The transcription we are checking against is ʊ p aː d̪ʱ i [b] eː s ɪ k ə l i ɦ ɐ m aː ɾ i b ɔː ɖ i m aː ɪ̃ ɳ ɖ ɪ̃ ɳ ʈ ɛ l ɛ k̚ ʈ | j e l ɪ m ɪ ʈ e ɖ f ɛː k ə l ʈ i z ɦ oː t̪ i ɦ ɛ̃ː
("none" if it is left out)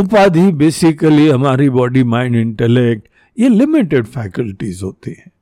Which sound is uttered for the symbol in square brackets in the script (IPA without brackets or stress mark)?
b